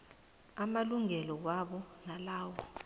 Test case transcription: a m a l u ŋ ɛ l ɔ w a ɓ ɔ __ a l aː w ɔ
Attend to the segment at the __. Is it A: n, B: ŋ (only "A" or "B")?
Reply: A